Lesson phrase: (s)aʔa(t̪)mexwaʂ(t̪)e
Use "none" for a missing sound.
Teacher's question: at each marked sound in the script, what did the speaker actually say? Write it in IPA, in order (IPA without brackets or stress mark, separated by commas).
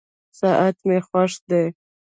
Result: s, t̪, d̪